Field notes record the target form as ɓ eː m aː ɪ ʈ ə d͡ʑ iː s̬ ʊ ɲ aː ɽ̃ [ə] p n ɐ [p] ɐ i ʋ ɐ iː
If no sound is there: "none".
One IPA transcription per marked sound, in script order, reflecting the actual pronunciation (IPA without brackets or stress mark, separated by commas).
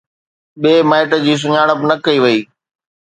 ə, k